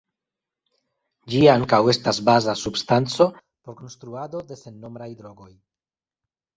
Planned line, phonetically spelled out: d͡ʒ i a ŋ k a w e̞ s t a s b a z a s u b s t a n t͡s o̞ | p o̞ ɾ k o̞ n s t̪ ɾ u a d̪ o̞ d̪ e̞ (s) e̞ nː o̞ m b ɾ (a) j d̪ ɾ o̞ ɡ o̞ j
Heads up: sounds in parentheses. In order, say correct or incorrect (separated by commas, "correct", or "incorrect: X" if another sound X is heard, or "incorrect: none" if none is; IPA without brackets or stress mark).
correct, correct